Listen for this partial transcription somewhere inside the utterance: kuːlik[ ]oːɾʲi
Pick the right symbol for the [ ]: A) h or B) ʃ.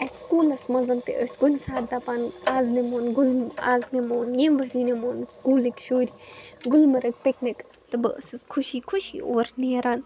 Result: B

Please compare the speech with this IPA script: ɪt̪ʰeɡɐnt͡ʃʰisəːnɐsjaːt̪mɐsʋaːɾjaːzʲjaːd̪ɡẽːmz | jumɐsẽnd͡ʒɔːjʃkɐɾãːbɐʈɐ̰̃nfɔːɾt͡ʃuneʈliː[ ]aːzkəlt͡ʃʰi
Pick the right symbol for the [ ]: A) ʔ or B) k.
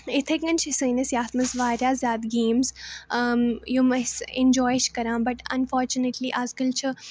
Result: A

